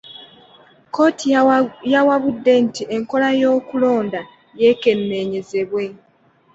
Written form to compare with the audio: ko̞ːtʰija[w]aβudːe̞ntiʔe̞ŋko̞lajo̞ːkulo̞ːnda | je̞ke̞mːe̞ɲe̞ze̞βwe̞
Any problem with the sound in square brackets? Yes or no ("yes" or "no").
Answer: no